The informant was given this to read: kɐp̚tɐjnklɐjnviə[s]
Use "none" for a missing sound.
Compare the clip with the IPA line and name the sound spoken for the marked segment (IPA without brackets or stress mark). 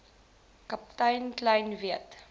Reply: t